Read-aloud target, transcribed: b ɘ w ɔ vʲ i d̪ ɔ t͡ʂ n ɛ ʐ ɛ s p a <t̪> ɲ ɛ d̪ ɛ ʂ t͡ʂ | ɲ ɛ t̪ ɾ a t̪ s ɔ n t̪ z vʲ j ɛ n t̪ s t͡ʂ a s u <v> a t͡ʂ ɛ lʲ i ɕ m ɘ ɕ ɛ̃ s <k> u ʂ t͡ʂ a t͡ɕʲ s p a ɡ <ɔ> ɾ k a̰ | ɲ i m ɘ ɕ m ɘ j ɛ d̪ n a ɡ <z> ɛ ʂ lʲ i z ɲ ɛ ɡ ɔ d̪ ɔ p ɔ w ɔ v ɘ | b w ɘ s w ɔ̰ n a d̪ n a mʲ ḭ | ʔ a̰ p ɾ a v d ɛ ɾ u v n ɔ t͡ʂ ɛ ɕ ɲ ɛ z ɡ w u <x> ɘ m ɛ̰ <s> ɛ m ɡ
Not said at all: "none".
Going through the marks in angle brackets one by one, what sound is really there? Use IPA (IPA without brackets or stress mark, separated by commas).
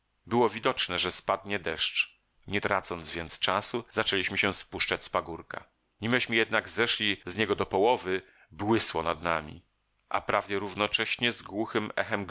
d̪, z, p, u, z, x, x